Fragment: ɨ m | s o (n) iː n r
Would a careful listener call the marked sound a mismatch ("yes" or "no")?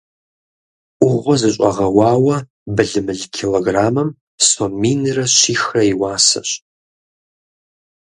yes